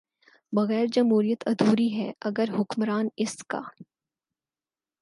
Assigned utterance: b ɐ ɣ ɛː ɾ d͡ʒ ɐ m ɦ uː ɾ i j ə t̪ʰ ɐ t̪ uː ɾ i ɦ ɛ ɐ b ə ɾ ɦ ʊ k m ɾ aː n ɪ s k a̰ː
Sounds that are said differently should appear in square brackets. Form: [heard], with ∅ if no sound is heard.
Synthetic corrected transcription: b ɐ ɣ ɛː ɾ d͡ʒ ɐ m ɦ uː ɾ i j ə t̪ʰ ɐ [d̪] uː ɾ i ɦ ɛ ɐ [ɡ] ə ɾ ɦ ʊ k m ɾ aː n ɪ s k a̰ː